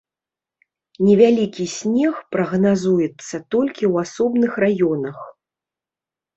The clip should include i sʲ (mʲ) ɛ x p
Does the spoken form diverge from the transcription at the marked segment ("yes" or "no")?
yes